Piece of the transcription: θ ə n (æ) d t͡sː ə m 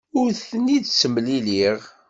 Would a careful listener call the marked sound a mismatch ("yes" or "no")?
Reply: yes